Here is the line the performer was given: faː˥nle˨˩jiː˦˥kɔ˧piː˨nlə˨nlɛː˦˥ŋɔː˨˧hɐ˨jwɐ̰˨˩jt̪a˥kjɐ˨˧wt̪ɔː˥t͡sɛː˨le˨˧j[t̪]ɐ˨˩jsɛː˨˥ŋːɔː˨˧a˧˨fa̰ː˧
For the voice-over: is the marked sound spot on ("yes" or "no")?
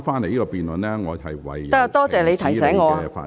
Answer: no